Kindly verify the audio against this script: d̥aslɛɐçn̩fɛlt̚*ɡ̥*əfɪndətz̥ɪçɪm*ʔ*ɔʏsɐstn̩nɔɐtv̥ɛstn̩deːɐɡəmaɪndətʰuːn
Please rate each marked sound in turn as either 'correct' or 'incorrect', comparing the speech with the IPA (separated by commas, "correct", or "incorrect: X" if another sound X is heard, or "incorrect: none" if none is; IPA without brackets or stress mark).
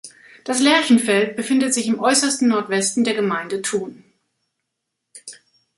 incorrect: b̥, correct